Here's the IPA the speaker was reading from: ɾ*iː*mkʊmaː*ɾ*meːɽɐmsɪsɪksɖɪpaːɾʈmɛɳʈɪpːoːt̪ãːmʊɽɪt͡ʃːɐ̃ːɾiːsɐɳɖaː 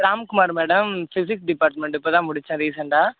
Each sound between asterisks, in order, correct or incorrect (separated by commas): incorrect, correct